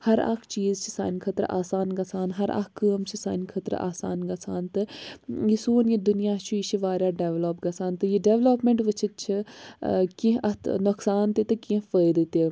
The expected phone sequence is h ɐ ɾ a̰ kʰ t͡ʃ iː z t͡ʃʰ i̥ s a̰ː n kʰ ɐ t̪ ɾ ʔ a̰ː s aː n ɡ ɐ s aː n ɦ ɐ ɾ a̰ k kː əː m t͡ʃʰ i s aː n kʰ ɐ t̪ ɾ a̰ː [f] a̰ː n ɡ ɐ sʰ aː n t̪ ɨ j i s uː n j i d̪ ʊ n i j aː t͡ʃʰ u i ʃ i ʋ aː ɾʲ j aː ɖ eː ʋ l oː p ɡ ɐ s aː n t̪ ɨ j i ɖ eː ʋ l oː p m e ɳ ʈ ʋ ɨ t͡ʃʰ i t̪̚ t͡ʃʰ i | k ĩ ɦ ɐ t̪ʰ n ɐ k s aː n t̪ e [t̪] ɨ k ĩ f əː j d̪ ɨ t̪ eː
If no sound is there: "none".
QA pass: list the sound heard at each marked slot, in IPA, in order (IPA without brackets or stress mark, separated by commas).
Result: s, t̪